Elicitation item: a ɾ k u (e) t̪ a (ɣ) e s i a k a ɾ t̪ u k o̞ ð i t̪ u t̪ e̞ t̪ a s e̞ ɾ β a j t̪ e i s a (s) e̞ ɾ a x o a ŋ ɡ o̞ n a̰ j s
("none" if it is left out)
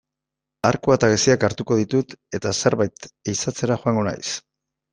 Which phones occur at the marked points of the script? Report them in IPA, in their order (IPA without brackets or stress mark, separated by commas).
a, ɣ, t͡s